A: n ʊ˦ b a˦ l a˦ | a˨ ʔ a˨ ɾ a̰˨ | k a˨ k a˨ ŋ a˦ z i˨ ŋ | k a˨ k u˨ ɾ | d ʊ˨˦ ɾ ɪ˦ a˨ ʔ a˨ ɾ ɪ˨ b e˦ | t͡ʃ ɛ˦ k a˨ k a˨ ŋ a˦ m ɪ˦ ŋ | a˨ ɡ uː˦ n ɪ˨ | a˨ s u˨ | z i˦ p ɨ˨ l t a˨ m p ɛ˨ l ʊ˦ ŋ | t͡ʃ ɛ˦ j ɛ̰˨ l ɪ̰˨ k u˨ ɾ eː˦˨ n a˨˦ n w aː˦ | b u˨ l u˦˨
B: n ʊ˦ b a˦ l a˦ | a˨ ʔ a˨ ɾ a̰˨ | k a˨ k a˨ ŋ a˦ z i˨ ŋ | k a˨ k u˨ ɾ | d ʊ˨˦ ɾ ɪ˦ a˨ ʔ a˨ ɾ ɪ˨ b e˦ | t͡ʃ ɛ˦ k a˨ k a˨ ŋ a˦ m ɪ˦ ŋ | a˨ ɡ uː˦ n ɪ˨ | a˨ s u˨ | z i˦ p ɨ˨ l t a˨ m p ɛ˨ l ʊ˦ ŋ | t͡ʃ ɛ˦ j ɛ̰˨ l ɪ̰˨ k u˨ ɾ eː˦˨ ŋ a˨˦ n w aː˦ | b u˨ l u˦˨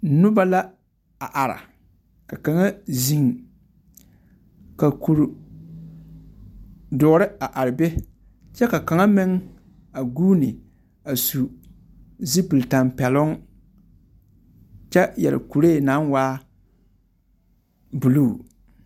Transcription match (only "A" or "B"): A